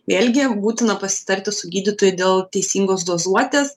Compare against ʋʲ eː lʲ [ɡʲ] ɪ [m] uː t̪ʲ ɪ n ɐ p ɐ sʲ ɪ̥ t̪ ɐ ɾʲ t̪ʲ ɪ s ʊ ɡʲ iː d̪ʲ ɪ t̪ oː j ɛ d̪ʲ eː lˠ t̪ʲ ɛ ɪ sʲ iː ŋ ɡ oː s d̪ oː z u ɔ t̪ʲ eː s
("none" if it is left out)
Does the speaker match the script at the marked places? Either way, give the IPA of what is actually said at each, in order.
ɡʲ, b

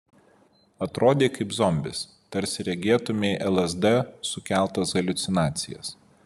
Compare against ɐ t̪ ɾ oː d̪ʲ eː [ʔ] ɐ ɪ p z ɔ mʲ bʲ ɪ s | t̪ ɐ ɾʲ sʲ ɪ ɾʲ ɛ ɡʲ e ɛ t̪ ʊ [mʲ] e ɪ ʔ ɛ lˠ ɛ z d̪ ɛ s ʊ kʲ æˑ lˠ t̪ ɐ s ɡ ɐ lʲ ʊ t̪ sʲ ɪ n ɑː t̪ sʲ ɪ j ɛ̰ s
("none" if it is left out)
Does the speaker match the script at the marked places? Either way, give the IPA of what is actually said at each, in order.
k, mʲ

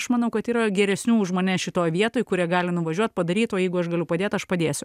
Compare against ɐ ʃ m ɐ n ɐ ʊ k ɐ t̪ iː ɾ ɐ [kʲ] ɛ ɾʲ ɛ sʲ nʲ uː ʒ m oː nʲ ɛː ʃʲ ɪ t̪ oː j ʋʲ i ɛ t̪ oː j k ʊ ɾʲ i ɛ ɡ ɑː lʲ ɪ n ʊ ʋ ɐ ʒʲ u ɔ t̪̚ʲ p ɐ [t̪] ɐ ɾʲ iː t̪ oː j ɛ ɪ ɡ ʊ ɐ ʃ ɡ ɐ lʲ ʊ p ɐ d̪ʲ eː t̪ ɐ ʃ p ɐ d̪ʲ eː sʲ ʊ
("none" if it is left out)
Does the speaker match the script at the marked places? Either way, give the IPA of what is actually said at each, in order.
ɡʲ, d̪

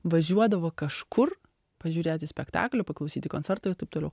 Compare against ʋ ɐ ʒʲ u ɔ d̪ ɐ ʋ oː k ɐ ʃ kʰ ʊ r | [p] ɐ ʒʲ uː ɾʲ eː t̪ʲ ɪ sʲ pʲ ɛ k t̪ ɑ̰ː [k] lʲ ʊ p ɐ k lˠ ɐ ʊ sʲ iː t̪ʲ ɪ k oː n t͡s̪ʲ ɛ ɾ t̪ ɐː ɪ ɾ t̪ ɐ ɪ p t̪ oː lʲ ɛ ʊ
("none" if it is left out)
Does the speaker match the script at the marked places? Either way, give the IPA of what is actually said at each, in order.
p, k

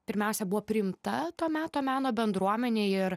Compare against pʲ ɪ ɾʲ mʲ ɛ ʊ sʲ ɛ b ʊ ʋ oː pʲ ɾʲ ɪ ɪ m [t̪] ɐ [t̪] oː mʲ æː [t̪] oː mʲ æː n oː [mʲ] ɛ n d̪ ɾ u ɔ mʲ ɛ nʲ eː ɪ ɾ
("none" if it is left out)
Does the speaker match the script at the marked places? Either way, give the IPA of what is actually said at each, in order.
t̪, t̪, t̪, bʲ

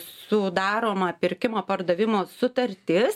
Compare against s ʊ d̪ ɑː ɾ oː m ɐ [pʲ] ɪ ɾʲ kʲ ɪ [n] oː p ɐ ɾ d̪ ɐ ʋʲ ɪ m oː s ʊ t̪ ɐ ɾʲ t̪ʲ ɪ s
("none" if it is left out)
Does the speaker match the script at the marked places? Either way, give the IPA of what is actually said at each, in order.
pʲ, m

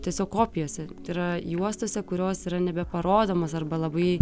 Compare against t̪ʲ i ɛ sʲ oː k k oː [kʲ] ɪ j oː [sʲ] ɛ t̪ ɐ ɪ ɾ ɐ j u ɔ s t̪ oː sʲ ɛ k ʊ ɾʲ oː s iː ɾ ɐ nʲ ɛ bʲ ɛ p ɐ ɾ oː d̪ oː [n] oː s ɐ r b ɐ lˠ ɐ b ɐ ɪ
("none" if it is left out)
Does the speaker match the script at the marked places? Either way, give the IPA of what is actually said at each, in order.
pʲ, sʲ, m

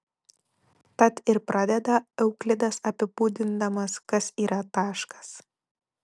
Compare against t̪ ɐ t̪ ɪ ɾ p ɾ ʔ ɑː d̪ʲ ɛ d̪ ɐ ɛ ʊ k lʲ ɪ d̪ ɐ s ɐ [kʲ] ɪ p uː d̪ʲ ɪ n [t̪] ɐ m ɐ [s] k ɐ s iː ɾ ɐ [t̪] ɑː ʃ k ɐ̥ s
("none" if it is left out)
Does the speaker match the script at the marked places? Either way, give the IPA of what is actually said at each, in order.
pʲ, d̪, s, t̪

